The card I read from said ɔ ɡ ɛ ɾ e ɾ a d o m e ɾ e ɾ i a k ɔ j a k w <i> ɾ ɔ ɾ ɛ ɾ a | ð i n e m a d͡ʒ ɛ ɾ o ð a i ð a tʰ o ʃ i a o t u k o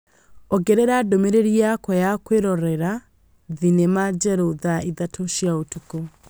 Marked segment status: incorrect: e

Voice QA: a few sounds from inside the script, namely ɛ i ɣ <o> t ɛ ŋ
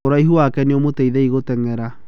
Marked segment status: correct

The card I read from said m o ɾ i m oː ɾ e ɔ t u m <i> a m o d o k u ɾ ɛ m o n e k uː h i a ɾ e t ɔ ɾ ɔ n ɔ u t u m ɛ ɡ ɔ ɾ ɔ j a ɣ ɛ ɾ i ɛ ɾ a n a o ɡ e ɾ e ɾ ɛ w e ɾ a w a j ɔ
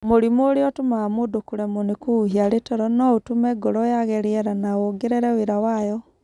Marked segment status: incorrect: a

